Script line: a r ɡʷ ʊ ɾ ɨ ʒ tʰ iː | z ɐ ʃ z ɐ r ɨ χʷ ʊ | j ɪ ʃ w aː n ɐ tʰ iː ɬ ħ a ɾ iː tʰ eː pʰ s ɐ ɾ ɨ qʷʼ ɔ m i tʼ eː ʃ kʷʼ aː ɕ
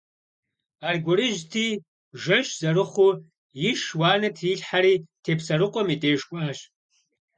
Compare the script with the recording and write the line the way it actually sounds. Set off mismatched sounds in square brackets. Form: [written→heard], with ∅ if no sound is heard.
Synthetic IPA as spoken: a r ɡʷ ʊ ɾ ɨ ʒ tʰ iː | [z→ʒ] ɐ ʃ z ɐ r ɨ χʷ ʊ | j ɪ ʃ w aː n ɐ tʰ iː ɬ ħ a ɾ iː tʰ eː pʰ s ɐ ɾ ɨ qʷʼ ɔ m i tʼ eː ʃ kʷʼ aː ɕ